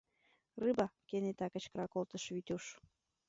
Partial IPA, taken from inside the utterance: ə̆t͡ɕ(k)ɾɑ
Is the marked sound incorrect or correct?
correct